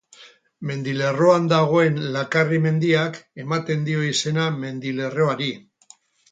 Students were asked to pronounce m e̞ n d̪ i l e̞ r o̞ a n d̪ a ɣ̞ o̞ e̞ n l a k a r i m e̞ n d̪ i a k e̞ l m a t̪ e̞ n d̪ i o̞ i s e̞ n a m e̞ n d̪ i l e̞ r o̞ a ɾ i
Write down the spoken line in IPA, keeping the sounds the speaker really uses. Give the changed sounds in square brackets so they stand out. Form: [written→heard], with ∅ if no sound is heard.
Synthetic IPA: m e̞ n d̪ i l e̞ r o̞ a n d̪ a ɣ̞ o̞ e̞ n l a k a r i m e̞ n d̪ i a k e̞ [l→∅] m a t̪ e̞ n d̪ i o̞ i s e̞ n a m e̞ n d̪ i l e̞ r o̞ a ɾ i